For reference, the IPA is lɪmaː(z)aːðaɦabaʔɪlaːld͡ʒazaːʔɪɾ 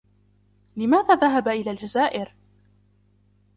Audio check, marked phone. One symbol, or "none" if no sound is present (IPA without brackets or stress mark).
ð